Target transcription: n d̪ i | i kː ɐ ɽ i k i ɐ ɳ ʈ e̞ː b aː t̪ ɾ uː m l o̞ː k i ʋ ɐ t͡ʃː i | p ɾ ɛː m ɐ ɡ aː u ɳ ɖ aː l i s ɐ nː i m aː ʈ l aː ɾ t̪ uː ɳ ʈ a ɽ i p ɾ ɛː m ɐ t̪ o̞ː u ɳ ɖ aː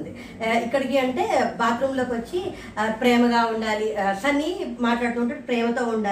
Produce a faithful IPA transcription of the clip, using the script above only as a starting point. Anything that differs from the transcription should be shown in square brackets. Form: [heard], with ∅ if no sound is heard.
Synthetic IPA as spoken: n d̪ i | i kː ɐ ɽ i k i ɐ ɳ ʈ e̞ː b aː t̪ ɾ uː m l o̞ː k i ʋ ɐ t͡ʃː i | p ɾ ɛː m ɐ ɡ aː u ɳ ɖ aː l i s ɐ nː i m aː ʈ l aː [ɽ] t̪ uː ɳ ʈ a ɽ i p ɾ ɛː m ɐ t̪ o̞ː u ɳ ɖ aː